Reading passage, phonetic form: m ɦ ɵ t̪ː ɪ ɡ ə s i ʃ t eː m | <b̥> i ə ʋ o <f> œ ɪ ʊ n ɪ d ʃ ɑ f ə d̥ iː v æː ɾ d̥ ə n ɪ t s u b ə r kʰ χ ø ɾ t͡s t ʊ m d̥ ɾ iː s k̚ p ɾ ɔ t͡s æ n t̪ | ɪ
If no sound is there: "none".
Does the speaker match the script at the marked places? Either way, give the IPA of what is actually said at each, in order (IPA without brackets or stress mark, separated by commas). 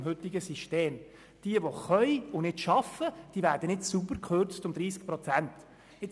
d̥, χ